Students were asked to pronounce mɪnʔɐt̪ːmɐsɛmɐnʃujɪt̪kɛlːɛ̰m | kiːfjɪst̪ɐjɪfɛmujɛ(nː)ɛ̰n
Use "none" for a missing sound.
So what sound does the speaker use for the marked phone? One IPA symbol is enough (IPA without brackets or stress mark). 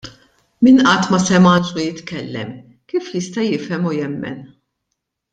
mː